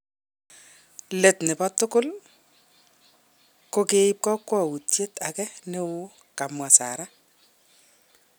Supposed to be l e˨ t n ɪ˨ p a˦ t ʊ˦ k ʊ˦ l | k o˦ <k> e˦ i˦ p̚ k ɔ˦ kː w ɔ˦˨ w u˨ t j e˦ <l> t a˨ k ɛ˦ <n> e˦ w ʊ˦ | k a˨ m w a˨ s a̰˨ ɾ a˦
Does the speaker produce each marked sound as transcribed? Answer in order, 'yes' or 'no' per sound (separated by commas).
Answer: yes, no, yes